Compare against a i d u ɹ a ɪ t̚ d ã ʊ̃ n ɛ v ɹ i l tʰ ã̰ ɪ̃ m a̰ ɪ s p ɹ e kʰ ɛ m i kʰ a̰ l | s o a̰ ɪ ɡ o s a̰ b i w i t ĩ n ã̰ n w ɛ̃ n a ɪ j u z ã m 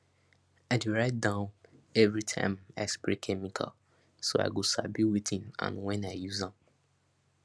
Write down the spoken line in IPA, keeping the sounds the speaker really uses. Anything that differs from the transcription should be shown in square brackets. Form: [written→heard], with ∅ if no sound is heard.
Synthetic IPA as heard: a [i→ɪ] d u ɹ a ɪ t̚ d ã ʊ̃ n ɛ v ɹ i [l→∅] tʰ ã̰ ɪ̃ m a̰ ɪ s p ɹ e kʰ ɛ m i kʰ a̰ l | s o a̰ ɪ ɡ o s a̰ b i w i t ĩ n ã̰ n w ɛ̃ n a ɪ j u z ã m

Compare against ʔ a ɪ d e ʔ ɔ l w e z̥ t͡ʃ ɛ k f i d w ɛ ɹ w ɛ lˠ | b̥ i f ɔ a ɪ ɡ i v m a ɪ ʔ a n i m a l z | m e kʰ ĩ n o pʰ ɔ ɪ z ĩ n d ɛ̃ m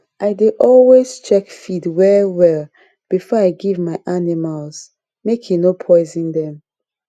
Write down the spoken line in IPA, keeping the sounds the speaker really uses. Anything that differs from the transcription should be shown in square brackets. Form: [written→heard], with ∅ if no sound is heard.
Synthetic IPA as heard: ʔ a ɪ d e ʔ ɔ l w e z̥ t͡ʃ ɛ k f i d w ɛ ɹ w ɛ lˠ | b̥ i f ɔ a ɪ ɡ i v m a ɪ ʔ a n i m a l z | m e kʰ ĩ n o pʰ ɔ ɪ z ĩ n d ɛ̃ m

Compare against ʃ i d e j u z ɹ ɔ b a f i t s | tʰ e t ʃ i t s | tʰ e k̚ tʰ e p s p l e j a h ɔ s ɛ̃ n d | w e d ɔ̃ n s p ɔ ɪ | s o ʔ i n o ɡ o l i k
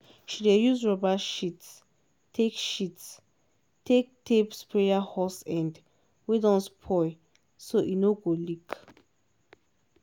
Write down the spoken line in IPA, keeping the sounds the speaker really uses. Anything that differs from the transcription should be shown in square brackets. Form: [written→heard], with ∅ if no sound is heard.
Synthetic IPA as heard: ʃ i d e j u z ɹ ɔ b a [f→ʃ] i t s | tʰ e [t→k] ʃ i t s | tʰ e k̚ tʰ e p s p [l→ɹ] e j a h ɔ s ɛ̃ n d | w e d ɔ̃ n s [p→pʰ] ɔ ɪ | s o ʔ i n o ɡ o l i k

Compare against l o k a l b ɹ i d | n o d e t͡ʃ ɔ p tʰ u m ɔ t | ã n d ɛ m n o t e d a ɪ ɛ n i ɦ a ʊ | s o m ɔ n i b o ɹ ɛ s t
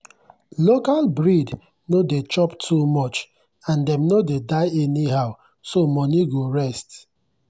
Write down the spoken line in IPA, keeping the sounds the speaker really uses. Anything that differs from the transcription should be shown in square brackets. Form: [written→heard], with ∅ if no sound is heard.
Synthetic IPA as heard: l o k a l b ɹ i d | n o d e t͡ʃ ɔ p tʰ u m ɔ [t→t͡ʃ] | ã n d ɛ m n o [t→d] e d a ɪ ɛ n i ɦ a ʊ | s o m ɔ n i [b→ɡ] o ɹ ɛ s t

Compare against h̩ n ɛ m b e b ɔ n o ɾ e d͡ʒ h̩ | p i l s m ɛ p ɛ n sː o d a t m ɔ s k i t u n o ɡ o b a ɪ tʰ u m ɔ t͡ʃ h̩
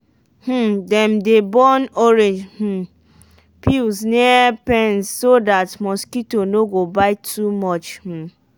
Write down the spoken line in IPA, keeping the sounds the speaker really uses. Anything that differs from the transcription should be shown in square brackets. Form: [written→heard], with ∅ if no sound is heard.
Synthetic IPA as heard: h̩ [n→d] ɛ m [b→d] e b ɔ n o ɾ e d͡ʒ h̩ | p i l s [m→n] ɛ p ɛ n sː o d a t m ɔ s k i t [u→o] n o ɡ o b a ɪ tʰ u m ɔ t͡ʃ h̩

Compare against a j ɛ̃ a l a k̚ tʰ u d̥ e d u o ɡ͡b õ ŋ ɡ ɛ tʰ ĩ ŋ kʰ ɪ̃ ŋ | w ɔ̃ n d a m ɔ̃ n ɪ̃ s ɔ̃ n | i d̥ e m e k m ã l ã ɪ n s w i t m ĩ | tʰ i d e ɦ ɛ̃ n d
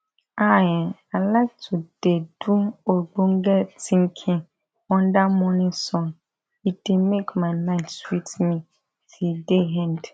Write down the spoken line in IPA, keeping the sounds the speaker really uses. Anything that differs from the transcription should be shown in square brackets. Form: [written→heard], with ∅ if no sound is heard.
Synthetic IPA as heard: a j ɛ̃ a l a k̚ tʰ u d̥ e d u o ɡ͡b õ ŋ ɡ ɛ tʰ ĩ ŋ kʰ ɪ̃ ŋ | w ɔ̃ n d a m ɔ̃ n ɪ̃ s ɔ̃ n | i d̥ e m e k m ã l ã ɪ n s w i t m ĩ | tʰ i d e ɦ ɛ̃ n d

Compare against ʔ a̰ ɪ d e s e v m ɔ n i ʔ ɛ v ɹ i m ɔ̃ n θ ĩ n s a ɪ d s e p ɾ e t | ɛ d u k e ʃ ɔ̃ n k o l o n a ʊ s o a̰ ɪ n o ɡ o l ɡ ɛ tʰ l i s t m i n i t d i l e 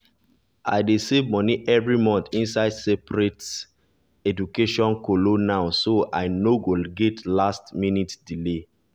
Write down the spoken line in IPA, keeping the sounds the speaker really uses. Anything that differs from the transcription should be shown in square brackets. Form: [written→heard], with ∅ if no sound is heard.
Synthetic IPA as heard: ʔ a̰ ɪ d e s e v m ɔ n i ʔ ɛ v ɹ i m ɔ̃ n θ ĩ n s a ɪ d s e p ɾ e t | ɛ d u k e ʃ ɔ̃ n k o l o n a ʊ s o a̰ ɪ n o ɡ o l ɡ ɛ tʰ l [i→a] s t m i n i t d i l e

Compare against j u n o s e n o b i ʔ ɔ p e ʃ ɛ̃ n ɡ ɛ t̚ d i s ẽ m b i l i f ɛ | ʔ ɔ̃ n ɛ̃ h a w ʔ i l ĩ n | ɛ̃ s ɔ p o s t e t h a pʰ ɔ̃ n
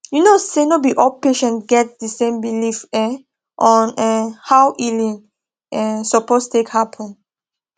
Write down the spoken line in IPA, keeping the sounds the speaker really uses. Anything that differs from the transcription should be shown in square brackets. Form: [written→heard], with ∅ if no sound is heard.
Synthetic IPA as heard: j u n o s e n o b i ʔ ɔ p e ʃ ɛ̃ n ɡ ɛ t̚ d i s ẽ m b i l i f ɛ | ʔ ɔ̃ n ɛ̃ h a w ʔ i l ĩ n | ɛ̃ s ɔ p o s t e [t→k] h a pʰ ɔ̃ n

